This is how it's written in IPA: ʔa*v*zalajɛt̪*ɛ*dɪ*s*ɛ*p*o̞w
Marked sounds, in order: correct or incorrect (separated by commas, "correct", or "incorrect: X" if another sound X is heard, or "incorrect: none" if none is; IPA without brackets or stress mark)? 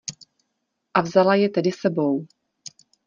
correct, correct, correct, incorrect: b